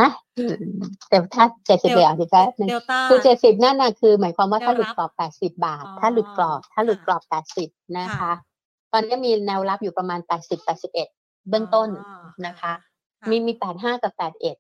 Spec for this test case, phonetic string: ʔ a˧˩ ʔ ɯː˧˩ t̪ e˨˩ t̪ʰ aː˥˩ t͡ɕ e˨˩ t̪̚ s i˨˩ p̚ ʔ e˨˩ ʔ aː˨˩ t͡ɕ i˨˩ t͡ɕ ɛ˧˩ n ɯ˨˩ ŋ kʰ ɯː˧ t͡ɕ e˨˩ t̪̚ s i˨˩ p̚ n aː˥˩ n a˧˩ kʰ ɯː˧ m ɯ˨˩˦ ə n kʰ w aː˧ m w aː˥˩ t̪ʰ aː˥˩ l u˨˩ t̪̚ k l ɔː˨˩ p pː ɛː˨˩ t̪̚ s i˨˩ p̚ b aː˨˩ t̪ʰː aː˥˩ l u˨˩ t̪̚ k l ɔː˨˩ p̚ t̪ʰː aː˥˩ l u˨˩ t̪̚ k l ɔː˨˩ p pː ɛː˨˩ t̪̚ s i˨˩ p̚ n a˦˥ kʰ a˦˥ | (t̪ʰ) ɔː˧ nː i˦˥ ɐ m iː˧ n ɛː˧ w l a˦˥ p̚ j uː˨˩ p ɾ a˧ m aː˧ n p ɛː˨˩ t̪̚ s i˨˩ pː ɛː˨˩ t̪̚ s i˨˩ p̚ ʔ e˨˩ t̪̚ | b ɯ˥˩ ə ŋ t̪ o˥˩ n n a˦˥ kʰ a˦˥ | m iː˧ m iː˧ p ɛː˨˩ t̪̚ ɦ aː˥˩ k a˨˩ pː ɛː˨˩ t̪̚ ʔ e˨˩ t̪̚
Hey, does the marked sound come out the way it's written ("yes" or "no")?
no